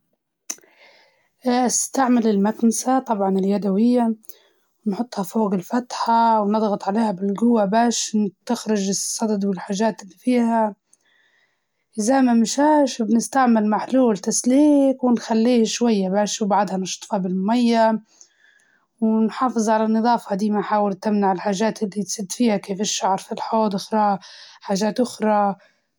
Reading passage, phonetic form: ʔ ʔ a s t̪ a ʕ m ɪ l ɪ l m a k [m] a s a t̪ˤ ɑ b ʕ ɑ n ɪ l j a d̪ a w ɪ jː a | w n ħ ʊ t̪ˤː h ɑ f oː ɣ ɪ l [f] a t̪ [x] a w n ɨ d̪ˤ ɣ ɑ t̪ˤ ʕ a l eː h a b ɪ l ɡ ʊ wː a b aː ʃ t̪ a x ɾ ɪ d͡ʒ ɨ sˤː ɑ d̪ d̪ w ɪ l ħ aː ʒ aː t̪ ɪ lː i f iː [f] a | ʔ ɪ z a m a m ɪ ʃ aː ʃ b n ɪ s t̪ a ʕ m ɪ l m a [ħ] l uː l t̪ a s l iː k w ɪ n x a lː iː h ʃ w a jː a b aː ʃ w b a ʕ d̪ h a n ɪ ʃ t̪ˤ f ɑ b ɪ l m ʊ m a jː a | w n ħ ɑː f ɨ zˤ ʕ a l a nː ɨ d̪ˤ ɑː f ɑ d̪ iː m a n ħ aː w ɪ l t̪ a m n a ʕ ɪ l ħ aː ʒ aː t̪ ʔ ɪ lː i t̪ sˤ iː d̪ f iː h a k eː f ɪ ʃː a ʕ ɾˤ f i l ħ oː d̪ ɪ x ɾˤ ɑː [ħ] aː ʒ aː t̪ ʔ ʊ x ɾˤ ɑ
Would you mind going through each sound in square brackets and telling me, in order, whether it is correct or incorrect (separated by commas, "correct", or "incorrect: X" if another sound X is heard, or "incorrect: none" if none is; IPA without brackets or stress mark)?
incorrect: n, correct, incorrect: ħ, incorrect: h, correct, correct